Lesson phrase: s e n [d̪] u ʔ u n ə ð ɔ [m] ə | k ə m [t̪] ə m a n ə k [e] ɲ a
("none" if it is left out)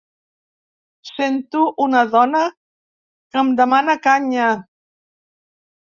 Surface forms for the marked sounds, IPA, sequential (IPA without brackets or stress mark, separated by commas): t̪, n, d̪, a